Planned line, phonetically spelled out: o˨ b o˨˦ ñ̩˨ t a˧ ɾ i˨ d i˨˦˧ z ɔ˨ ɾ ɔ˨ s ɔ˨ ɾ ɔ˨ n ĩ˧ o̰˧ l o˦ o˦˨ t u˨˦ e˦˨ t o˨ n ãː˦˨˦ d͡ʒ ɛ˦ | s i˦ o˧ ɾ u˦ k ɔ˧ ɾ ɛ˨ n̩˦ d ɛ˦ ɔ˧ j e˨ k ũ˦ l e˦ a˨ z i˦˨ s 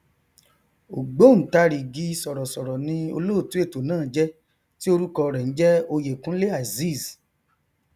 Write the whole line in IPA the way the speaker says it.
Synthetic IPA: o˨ ɡ͡b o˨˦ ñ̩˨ t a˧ ɾ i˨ ɡ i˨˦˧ s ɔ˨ ɾ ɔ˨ s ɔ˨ ɾ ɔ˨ n ĩ˧ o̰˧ l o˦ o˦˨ t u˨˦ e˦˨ t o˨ n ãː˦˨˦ d͡ʒ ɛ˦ | t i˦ o˧ ɾ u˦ k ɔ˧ ɾ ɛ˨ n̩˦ d͡ʒ ɛ˦ o˧ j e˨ k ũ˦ l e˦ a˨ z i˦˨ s